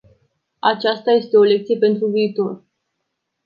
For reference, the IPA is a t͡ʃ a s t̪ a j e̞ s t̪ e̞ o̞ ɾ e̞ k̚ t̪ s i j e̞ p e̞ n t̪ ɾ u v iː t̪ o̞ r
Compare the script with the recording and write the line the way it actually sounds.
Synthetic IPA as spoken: a t͡ʃ a s t̪ a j e̞ s t̪ e̞ o̞ l e̞ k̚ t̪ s i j e̞ p e̞ n t̪ ɾ u v iː t̪ o̞ r